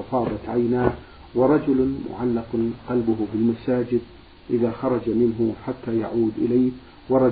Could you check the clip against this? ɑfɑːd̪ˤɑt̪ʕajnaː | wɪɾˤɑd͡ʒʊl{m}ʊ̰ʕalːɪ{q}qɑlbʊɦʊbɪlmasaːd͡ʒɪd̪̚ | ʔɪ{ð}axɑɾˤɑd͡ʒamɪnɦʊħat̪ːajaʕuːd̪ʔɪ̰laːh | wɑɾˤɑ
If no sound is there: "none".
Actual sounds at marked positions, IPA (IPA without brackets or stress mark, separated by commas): m, q, ð